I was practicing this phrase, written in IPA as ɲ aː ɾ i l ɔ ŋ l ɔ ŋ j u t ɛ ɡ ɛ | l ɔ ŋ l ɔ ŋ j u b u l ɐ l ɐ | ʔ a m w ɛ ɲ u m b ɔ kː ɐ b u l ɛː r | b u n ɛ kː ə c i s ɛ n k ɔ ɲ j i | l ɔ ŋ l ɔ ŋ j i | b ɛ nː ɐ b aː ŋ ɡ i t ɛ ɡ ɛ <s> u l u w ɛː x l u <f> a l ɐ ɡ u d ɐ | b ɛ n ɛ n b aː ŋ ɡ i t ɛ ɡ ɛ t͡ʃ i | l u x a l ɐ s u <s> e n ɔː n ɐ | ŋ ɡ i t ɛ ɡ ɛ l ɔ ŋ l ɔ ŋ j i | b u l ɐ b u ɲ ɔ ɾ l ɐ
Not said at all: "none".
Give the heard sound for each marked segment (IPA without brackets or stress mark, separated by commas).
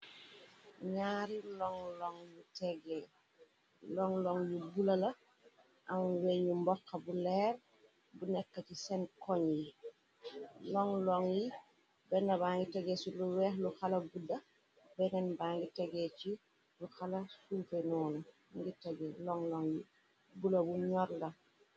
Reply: s, x, f